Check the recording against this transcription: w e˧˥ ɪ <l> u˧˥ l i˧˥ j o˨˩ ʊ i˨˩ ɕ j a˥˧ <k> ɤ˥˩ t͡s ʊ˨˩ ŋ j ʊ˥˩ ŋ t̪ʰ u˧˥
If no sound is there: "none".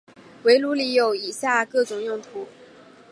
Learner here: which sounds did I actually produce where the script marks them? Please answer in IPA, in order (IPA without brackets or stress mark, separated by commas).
l, k